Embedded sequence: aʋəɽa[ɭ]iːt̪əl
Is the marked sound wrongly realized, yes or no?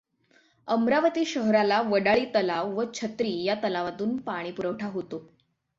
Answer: no